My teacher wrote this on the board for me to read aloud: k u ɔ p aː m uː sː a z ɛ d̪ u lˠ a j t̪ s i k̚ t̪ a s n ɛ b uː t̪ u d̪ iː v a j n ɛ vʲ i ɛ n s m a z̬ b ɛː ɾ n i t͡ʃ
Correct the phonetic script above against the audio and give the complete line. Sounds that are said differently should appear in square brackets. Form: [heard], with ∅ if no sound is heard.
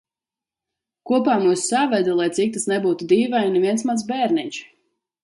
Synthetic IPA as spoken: k u ɔ p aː m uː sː a [v] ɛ d̪ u lˠ a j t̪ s i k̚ t̪ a s n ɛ b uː t̪ u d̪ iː v a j n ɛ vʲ i ɛ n s m a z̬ b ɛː ɾ n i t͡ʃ